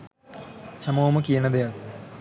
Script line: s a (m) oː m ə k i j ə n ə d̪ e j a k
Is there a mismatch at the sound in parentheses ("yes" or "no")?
no